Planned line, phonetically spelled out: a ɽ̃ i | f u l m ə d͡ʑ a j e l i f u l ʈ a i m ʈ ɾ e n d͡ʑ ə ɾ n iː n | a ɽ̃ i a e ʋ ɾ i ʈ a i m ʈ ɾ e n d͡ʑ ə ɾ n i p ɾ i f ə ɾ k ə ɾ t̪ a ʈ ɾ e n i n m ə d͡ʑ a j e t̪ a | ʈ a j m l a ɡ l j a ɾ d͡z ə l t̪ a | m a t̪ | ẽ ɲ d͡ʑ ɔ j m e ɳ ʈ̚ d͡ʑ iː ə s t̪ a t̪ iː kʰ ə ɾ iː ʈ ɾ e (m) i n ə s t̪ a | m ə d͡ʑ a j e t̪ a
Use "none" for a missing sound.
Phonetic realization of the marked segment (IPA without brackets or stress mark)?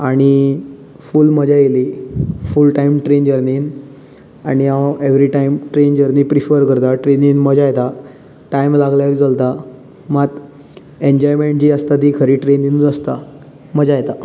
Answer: n